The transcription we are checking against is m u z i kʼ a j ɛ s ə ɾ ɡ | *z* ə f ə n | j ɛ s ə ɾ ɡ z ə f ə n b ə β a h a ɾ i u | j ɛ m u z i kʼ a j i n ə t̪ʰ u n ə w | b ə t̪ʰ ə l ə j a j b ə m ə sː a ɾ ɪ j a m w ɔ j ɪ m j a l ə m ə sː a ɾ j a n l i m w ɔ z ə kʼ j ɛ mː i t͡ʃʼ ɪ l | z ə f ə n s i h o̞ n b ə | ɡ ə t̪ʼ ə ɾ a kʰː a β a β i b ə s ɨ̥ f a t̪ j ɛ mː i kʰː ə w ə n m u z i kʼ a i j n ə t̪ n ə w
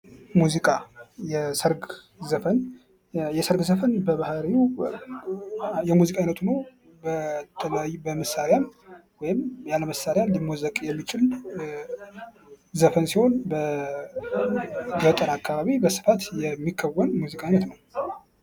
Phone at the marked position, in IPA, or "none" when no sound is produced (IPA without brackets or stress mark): z